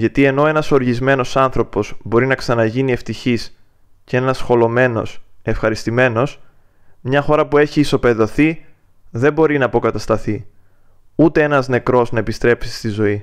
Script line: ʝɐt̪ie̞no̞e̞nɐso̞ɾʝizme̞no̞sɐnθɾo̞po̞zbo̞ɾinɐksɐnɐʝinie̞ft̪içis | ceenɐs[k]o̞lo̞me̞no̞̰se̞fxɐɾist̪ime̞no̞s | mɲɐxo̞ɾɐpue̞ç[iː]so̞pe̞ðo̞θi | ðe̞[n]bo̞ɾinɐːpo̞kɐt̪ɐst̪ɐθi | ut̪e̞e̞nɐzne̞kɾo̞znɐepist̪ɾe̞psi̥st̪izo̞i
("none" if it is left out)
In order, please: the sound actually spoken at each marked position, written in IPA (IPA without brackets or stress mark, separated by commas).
x, iː, m